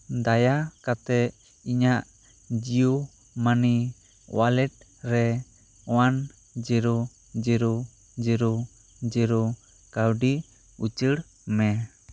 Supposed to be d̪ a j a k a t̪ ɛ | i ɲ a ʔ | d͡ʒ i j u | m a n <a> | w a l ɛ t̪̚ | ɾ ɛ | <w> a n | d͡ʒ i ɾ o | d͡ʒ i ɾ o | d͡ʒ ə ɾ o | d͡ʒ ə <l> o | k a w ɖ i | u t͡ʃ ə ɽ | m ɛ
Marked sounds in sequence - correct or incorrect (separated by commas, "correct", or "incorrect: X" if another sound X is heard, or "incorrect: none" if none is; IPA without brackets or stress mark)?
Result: incorrect: i, correct, incorrect: ɾ